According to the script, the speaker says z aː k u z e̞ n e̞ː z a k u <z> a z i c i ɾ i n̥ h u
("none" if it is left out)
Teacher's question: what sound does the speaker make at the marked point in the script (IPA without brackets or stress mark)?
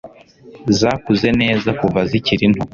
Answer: v